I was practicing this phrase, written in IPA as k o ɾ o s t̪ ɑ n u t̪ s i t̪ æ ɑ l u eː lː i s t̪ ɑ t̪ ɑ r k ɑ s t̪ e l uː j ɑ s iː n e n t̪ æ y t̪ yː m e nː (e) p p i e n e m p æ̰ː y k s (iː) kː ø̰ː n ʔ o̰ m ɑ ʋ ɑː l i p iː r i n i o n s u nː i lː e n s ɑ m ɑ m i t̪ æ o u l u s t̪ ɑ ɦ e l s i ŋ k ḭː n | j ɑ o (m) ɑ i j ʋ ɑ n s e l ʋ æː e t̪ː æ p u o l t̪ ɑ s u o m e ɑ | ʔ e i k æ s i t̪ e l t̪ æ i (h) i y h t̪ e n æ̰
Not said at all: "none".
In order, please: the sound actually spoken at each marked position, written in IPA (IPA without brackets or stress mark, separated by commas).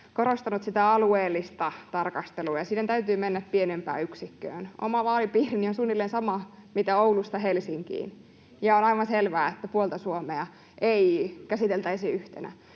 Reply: æ, i, n, s